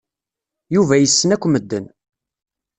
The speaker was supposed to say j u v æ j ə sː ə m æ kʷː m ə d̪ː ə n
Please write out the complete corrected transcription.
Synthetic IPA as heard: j u v æ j ə sː ə n æ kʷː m ə d̪ː ə n